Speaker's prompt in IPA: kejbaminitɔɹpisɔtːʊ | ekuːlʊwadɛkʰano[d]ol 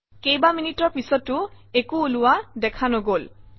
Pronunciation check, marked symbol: incorrect: ɡ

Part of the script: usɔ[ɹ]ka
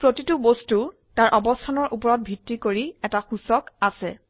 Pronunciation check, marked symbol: incorrect: none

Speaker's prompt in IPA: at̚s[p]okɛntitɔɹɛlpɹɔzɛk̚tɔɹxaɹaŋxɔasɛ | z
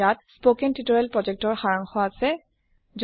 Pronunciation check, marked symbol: correct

